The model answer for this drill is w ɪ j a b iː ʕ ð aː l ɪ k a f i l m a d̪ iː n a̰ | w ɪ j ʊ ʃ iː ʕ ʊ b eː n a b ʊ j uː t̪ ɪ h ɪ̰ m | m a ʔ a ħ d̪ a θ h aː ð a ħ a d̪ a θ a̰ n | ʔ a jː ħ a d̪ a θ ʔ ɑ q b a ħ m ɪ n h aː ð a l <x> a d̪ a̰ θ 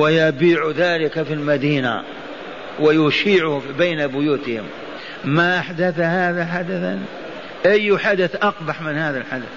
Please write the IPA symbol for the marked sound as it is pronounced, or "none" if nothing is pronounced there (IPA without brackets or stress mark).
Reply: ħ